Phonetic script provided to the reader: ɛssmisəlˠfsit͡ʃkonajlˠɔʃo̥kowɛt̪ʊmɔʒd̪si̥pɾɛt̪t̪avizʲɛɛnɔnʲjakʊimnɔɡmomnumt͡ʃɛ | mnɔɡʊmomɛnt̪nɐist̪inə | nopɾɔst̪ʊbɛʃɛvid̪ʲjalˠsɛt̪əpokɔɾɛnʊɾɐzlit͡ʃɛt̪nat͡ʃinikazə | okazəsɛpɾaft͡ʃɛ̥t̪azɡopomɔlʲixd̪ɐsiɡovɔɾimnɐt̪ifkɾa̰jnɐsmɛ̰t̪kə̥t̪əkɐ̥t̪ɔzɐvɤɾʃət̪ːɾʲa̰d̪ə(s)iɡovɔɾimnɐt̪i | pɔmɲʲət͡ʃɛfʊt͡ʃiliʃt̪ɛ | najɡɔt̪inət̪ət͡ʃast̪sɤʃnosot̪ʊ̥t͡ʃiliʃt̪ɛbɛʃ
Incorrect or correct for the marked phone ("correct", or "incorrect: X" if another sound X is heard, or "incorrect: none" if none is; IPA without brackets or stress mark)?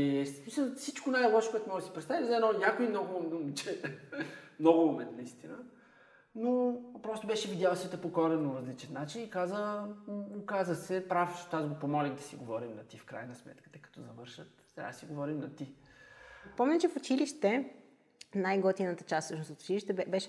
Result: correct